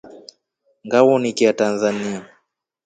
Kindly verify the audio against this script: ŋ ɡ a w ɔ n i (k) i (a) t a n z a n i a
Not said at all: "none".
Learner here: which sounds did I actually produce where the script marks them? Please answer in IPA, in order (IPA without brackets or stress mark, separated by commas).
k, a